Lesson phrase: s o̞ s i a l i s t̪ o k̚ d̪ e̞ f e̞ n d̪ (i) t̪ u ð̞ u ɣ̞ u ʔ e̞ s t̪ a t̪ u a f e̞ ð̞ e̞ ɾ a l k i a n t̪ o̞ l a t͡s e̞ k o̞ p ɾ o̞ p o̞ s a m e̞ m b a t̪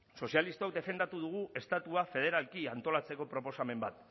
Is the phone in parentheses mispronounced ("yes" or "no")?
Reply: yes